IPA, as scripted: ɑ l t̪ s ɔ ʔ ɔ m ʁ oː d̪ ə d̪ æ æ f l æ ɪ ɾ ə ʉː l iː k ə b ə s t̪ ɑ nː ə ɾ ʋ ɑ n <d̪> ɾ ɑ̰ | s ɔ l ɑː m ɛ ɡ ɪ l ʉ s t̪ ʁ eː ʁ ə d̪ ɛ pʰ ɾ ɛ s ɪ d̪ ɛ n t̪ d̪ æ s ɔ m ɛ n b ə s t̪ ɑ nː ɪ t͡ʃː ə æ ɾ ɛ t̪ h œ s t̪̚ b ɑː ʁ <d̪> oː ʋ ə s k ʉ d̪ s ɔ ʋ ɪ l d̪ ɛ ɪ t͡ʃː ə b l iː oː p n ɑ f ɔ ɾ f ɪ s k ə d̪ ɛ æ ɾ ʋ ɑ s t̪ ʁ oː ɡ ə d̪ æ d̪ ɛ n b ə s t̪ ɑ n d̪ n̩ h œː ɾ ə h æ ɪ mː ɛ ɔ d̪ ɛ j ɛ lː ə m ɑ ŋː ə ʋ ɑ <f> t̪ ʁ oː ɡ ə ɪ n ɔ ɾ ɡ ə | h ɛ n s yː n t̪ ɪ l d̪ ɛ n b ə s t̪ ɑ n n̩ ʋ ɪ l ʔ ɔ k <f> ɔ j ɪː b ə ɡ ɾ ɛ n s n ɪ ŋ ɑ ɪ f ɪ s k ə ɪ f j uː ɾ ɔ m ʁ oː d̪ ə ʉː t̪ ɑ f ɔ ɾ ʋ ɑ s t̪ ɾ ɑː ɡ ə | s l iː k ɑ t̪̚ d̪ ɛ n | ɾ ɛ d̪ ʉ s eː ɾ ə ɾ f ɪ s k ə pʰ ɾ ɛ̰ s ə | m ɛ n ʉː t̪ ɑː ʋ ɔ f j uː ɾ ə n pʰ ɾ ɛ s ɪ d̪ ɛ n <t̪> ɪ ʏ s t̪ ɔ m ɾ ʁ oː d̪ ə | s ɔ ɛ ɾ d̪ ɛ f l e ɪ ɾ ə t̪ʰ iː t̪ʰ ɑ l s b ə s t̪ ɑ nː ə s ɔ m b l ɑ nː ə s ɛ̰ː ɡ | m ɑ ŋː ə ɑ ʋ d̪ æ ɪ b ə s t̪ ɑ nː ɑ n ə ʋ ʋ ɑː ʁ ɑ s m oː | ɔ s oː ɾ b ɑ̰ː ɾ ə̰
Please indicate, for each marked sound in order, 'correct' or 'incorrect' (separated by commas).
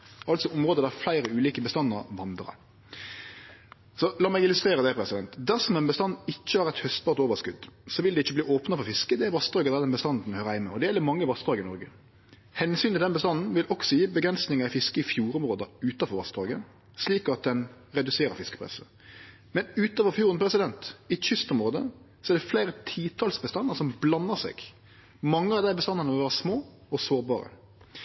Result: correct, incorrect, incorrect, incorrect, correct